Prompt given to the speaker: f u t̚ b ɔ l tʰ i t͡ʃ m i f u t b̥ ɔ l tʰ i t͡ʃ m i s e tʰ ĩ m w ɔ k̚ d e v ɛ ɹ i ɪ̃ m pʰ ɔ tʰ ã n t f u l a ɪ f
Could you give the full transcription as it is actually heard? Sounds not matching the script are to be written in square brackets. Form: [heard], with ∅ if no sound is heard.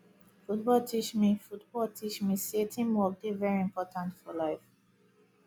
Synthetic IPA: f u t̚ b ɔ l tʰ i t͡ʃ m i f u t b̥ ɔ l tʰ i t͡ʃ m i s e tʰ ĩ m w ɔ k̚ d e v ɛ ɹ i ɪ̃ m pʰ ɔ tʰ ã n t f [ɔ] l a ɪ f